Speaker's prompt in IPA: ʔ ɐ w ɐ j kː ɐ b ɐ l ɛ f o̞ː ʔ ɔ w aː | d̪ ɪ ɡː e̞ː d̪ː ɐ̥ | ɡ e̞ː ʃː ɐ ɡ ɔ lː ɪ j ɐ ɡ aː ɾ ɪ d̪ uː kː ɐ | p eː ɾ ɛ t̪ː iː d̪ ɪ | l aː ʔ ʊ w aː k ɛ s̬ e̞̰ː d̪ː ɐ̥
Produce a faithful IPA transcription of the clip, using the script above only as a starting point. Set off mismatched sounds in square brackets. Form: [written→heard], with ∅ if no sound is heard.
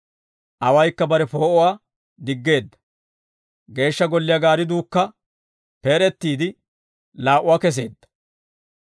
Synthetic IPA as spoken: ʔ ɐ w ɐ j kː ɐ b ɐ [l→ɾ] ɛ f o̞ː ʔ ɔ w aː | d̪ ɪ ɡː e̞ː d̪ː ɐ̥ | ɡ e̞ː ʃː ɐ ɡ ɔ lː ɪ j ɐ ɡ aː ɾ ɪ d̪ uː kː ɐ | p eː ɾ ɛ t̪ː iː d̪ ɪ | l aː ʔ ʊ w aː k ɛ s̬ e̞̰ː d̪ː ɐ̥